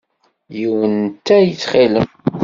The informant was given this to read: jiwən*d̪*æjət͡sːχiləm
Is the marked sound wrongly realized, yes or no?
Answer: yes